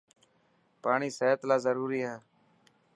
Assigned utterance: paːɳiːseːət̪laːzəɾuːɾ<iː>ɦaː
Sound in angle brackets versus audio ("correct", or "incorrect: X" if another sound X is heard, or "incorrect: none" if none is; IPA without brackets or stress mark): correct